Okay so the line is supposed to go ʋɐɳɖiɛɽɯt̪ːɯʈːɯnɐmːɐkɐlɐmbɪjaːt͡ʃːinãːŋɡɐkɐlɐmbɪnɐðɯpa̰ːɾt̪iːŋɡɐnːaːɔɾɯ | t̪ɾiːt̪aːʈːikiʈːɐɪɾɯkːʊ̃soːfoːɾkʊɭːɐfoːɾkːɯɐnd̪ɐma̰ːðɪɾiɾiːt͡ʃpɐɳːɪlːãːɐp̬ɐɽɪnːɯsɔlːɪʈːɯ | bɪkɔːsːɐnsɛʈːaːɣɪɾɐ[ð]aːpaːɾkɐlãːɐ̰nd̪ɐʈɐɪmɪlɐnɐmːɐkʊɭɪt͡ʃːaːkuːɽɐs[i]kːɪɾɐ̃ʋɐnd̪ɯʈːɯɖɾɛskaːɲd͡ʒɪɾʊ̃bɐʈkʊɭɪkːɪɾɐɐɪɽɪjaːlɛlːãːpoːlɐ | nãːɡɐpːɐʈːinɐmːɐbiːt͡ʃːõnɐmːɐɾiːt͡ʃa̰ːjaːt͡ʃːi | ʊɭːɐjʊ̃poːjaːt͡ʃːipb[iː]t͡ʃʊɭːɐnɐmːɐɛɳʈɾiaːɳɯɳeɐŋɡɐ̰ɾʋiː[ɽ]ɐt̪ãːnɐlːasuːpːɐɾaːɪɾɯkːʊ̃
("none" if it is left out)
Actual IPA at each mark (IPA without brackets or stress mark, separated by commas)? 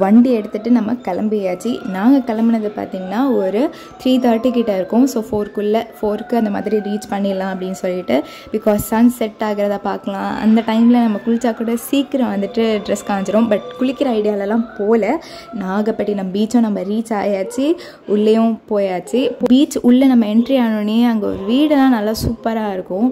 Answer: ð, iː, iː, ɽ